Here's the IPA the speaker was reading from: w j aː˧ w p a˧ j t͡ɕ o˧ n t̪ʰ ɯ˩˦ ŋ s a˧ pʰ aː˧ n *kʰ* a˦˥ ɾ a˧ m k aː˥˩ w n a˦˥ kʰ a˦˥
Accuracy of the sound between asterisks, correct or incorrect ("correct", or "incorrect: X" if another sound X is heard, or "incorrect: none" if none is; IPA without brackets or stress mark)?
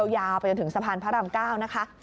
incorrect: pʰ